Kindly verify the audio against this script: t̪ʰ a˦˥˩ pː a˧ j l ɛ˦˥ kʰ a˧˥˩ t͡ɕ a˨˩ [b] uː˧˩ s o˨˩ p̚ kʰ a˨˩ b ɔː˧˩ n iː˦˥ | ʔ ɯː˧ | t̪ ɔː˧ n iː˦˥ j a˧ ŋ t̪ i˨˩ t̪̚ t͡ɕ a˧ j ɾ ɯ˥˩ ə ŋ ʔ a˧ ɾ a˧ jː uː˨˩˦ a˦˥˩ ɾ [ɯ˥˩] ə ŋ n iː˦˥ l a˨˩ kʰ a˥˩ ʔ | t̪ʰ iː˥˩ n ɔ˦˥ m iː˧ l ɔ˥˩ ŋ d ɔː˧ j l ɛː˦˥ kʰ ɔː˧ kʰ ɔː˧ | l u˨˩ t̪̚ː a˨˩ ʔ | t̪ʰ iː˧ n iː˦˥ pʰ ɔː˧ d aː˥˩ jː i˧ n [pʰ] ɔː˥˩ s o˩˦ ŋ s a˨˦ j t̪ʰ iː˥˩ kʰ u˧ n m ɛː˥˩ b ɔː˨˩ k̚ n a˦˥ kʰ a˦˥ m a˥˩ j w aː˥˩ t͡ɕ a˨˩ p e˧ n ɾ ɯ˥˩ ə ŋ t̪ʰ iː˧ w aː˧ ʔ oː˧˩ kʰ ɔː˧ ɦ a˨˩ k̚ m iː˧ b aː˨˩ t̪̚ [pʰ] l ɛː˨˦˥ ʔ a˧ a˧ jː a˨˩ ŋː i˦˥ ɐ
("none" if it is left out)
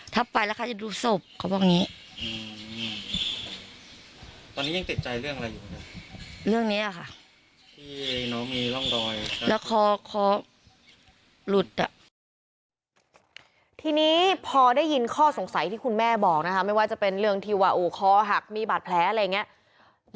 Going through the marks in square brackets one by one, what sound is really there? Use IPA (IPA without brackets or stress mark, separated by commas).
d, ɯ˥˩, kʰ, pʰ